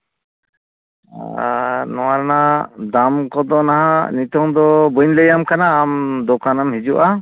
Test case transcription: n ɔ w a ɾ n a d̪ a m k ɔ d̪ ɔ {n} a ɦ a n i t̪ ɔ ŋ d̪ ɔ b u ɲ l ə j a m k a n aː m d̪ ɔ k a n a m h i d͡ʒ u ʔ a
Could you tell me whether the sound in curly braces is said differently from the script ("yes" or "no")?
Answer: no